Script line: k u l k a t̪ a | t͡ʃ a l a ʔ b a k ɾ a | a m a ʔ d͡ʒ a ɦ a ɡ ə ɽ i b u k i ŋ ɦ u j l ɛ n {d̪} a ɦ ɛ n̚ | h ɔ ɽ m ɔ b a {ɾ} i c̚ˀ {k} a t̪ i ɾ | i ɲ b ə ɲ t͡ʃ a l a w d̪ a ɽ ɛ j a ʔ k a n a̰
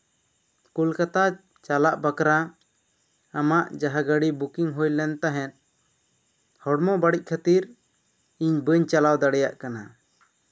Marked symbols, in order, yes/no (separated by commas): no, no, no